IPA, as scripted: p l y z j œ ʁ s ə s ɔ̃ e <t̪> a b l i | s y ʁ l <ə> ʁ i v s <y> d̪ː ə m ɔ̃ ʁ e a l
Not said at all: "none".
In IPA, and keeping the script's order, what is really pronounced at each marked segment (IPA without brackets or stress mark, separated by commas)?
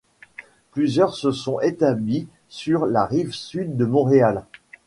t̪, a, y